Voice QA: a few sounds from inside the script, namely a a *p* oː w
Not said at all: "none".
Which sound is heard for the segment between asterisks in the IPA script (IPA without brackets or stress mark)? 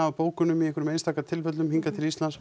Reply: p